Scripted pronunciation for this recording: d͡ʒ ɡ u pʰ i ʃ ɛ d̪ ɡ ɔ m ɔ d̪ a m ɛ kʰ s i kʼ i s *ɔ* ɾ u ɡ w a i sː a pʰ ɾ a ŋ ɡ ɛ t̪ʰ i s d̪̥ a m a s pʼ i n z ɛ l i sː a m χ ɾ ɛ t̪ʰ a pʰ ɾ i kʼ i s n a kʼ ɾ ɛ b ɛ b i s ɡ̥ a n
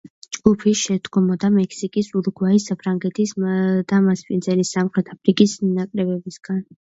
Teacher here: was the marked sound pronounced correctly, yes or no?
no